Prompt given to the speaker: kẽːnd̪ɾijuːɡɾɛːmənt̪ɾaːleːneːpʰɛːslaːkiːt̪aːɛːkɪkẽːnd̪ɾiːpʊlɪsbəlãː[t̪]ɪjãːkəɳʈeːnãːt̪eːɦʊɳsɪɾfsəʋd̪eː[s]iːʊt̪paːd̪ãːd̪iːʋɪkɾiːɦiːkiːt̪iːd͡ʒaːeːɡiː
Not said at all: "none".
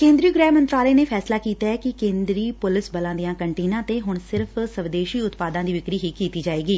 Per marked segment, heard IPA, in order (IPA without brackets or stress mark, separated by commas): d̪, ʃ